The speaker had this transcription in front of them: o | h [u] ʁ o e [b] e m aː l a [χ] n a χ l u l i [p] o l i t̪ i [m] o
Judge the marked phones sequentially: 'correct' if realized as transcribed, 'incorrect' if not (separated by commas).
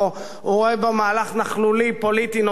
correct, correct, correct, correct, incorrect